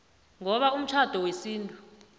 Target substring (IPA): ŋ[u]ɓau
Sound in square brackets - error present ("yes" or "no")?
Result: yes